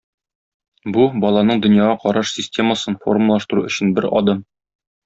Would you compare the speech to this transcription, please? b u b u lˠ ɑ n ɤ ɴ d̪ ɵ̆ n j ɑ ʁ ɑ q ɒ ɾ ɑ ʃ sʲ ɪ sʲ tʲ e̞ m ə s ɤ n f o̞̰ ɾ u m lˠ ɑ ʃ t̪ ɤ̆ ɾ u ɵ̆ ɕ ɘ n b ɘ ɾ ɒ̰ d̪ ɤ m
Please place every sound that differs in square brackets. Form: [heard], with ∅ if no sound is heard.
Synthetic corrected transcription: b u b [ɒ] lˠ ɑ n ɤ ɴ d̪ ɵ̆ n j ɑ ʁ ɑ q ɒ ɾ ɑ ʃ sʲ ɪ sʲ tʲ e̞ m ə s ɤ n f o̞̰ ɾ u m lˠ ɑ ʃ t̪ ɤ̆ ɾ u ɵ̆ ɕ ɘ n b ɘ ɾ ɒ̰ d̪ ɤ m